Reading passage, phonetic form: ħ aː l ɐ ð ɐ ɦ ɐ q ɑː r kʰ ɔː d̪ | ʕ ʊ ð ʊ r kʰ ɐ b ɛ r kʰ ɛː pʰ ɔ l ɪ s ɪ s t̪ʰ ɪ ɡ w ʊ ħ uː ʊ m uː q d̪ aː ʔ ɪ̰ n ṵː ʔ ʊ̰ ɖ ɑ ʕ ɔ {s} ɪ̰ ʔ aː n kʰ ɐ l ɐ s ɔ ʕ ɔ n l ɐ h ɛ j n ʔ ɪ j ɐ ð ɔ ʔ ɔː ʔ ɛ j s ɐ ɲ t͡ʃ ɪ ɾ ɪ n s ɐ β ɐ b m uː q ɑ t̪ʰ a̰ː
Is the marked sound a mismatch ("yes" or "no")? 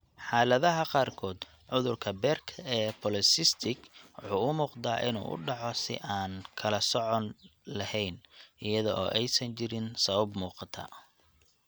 no